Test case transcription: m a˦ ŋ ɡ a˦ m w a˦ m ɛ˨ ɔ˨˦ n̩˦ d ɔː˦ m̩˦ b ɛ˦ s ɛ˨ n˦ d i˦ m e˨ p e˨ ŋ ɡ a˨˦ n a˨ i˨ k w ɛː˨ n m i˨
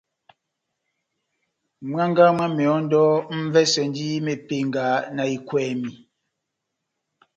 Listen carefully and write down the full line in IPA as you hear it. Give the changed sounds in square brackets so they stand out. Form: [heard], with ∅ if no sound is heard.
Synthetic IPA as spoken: m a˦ ŋ ɡ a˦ m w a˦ m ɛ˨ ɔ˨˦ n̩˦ d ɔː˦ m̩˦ [v] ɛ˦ s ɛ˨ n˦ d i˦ m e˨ p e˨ ŋ ɡ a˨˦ n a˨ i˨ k w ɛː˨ [∅] m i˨

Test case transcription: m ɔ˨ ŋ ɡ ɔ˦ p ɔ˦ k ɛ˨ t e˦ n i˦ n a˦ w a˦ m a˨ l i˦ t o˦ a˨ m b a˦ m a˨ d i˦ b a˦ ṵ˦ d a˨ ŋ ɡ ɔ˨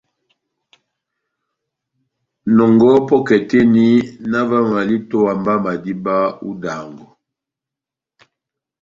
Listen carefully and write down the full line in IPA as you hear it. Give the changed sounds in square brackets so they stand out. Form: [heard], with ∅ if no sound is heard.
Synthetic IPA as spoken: [n] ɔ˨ ŋ ɡ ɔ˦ p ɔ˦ k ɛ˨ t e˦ n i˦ n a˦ [v] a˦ m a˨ l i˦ t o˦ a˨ m b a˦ m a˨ d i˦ b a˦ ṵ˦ d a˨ ŋ ɡ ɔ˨

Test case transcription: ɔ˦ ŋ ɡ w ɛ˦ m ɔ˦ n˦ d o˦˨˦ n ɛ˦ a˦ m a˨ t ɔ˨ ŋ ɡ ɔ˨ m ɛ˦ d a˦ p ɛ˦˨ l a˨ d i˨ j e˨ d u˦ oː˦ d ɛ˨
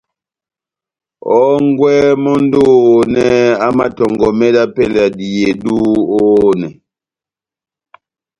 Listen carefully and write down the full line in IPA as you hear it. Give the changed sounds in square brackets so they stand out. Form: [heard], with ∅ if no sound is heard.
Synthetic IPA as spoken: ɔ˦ ŋ ɡ w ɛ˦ m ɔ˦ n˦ d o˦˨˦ n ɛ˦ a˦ m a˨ t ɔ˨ ŋ ɡ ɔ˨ m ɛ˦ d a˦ p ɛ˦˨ l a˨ d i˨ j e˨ d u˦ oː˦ [n] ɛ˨

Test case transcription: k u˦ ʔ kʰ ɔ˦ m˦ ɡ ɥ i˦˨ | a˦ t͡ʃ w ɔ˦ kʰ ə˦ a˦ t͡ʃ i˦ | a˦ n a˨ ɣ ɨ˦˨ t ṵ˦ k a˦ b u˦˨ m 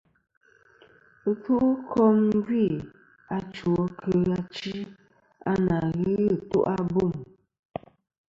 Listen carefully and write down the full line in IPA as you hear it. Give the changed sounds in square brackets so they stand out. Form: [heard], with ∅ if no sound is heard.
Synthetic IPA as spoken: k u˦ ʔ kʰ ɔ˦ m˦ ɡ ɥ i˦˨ | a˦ t͡ʃ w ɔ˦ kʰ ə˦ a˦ t͡ʃ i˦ | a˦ n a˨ ɣ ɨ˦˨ t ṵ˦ [ʔ] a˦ b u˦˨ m

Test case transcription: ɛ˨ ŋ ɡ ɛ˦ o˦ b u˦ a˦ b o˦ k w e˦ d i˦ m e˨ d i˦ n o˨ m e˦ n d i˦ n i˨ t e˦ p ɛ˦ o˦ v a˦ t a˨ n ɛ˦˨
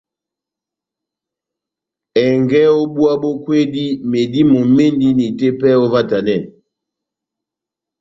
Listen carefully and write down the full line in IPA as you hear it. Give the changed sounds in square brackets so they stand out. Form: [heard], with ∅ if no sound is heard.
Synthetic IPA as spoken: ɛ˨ ŋ ɡ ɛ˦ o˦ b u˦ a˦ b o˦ k w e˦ d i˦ m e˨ d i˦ [m] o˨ m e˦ n d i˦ n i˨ t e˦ p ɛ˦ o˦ v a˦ t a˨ n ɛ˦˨

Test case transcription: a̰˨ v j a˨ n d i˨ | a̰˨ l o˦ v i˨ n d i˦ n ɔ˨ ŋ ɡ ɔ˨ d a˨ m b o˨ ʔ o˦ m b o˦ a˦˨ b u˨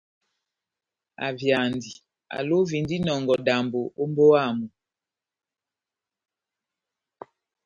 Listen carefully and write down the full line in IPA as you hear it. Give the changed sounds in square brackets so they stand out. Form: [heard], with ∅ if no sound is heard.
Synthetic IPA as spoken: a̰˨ v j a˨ n d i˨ | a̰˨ l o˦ v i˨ n d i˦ n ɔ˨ ŋ ɡ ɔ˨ d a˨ m b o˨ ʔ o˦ m b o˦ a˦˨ [m] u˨

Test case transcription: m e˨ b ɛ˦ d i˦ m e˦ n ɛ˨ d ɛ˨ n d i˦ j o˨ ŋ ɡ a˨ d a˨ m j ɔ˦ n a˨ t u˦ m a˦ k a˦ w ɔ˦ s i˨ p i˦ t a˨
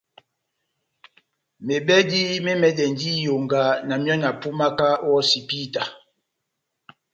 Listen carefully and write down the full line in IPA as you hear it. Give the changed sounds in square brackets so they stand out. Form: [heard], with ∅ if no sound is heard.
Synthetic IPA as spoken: m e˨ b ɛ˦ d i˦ m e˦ [m] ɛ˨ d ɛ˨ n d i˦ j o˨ ŋ ɡ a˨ [n] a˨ m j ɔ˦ n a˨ [p] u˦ m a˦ k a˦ w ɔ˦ s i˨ p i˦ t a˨

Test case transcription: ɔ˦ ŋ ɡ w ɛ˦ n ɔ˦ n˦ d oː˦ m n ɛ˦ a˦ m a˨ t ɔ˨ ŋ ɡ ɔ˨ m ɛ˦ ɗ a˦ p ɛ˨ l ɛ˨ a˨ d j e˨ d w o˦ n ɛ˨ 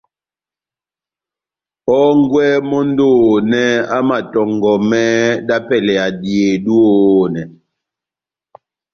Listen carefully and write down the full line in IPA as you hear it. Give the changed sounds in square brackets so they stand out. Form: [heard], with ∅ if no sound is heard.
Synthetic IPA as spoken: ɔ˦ ŋ ɡ w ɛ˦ [m] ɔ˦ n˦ d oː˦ [∅] n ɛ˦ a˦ m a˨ t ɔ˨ ŋ ɡ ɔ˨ m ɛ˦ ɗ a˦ p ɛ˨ l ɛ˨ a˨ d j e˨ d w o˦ n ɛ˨

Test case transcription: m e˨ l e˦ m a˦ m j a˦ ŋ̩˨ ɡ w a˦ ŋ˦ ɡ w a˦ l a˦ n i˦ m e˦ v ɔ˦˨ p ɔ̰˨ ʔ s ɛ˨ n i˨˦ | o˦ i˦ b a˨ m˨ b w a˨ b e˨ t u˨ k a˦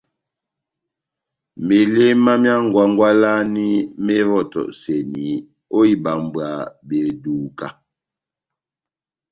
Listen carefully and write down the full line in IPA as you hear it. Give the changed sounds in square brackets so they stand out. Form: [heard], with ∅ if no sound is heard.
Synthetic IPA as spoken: m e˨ l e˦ m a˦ m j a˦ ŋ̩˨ ɡ w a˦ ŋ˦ ɡ w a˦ l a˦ n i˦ m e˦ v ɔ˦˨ [t] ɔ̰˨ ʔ s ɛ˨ n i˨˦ | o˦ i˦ b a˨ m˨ b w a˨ b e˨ [d] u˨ k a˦

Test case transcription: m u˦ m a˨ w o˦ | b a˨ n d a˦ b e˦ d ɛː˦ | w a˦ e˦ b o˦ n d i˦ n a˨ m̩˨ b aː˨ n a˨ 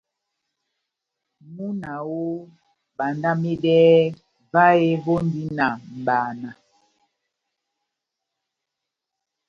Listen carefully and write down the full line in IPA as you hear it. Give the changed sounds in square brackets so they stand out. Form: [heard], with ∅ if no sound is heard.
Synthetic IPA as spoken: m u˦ [n] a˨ w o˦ | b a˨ n d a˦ [m] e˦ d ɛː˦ | [v] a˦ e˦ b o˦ n d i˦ n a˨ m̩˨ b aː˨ n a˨

